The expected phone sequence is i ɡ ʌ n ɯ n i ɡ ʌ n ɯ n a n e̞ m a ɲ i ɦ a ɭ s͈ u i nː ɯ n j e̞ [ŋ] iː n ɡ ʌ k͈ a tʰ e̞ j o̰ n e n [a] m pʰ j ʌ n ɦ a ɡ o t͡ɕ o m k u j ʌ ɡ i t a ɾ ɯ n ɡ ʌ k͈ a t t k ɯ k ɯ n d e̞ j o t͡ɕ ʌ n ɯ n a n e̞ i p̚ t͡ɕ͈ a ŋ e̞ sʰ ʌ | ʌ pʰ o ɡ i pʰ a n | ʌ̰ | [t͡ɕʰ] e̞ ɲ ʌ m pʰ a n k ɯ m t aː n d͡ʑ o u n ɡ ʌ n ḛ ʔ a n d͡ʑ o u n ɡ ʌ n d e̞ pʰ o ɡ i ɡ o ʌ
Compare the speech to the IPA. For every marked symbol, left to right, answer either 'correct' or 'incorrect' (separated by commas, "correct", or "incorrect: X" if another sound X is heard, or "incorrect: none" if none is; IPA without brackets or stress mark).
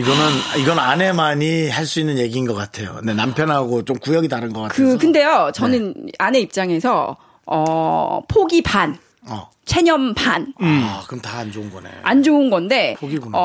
incorrect: ɡ, correct, correct